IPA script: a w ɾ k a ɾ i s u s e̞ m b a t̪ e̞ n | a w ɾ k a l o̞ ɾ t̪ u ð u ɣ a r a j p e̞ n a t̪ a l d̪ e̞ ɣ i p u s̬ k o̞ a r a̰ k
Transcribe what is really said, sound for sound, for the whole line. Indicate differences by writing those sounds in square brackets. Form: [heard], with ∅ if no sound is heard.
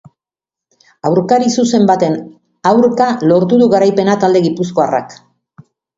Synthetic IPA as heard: a w ɾ k a ɾ i s u s e̞ m b a t̪ e̞ n | a w ɾ k a l o̞ ɾ t̪ u ð u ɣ a [ɾ] a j p e̞ n a t̪ a l d̪ e̞ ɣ i p u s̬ k o̞ a r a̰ k